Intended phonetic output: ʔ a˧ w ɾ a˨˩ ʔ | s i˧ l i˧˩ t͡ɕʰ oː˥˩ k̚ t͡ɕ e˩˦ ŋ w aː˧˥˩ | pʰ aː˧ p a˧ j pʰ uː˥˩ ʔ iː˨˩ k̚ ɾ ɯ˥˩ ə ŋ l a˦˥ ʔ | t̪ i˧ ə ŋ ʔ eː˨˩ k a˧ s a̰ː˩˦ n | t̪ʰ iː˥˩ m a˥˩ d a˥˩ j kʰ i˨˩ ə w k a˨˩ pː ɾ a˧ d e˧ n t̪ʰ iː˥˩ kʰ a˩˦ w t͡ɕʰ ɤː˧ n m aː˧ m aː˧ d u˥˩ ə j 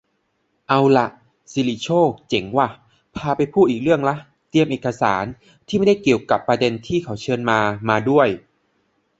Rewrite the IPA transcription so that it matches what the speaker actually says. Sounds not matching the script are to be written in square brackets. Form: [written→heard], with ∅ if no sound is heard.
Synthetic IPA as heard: ʔ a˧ w [ɾ→l] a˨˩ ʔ | s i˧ l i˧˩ t͡ɕʰ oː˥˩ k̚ t͡ɕ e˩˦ ŋ w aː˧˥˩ | pʰ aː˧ p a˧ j pʰ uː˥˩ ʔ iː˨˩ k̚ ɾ ɯ˥˩ ə ŋ l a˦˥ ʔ | t̪ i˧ ə [ŋ→m] ʔ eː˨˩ k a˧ s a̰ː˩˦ n | t̪ʰ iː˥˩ m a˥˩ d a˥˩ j [kʰ→k] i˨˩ ə w k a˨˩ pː ɾ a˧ d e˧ n t̪ʰ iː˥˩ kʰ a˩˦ w t͡ɕʰ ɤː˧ n m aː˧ m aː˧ d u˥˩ ə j